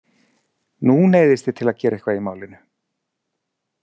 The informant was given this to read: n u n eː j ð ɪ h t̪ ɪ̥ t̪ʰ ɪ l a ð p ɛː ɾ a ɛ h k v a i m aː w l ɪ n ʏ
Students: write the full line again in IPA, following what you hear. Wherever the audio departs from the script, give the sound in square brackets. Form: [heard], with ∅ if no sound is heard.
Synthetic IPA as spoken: n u n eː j ð ɪ [s] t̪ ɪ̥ t̪ʰ ɪ l a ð [c] ɛː ɾ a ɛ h k v a i m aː w l ɪ n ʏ